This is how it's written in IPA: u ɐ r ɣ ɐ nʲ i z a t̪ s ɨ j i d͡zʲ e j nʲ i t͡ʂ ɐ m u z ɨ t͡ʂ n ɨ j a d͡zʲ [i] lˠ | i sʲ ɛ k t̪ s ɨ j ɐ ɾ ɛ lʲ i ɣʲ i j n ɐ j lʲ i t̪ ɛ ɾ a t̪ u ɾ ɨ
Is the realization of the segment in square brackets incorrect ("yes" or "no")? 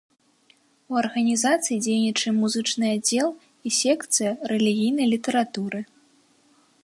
yes